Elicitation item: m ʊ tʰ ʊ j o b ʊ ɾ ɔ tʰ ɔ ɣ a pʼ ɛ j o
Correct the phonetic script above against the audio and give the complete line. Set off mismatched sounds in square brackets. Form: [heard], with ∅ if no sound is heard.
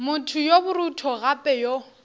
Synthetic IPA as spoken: m ʊ tʰ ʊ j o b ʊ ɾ [u] tʰ ɔ ɣ a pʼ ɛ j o